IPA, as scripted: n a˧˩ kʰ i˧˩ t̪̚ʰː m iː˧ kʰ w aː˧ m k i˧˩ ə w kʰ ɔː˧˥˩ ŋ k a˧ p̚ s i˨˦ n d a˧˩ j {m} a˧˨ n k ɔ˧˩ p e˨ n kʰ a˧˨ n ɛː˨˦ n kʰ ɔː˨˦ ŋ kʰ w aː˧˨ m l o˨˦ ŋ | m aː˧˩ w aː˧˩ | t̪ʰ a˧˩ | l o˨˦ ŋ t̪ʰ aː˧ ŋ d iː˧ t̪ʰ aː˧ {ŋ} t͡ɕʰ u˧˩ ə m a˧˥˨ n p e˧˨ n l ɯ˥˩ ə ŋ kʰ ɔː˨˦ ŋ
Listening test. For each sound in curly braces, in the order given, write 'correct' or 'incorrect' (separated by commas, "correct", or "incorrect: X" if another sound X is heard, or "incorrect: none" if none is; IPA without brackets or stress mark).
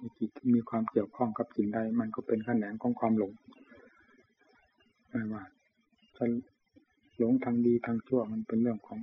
correct, correct